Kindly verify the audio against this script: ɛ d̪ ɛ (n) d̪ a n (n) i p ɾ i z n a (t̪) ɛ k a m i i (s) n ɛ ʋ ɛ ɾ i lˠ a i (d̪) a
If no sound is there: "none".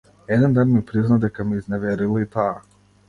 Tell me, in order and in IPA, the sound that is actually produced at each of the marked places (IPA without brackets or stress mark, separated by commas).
n, m, d̪, z, t̪